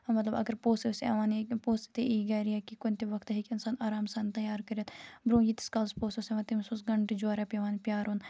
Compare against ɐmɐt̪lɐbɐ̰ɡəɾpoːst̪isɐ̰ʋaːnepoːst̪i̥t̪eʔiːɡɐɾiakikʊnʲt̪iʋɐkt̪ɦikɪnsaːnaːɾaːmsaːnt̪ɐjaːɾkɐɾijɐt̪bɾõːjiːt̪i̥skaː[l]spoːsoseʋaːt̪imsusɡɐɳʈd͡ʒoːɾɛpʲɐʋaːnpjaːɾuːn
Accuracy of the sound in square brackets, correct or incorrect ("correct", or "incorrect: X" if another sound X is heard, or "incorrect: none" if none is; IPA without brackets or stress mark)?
correct